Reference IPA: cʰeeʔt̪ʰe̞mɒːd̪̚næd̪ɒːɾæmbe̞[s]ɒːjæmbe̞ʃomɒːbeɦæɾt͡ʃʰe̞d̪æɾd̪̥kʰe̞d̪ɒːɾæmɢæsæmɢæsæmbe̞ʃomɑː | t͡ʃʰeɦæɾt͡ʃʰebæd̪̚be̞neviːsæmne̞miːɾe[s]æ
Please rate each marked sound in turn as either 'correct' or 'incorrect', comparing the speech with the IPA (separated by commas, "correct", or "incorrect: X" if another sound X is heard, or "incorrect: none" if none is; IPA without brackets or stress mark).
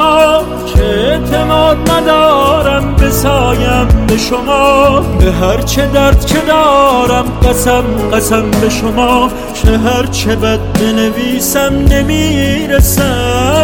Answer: correct, correct